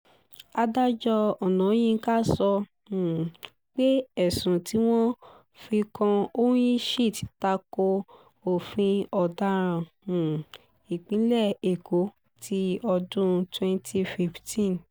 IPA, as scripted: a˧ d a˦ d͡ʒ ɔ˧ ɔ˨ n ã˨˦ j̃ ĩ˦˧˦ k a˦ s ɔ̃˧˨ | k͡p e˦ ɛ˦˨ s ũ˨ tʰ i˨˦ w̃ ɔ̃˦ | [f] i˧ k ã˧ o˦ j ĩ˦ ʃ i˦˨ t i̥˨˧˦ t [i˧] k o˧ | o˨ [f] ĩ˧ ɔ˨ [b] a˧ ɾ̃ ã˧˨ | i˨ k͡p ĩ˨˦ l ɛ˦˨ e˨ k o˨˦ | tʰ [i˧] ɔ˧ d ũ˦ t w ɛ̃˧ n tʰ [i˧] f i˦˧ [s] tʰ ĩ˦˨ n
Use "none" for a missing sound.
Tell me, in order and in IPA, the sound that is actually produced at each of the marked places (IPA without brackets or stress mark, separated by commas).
f, a˧, f, d, i˧, i˧, f